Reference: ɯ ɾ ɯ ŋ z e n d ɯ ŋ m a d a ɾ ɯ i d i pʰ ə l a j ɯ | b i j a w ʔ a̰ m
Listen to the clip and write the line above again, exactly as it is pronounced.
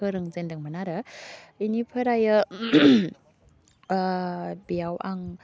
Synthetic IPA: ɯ ɾ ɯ ŋ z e n d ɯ ŋ m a n a ɾ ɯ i n i pʰ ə ɾ a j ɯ | b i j a w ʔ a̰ ŋ